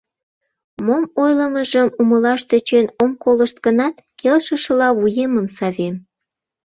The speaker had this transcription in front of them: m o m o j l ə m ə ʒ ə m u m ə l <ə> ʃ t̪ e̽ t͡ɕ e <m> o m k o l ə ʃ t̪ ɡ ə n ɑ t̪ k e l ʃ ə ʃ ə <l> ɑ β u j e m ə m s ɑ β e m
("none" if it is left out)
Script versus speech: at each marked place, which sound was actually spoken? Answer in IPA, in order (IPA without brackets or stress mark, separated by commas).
ɑ, n, l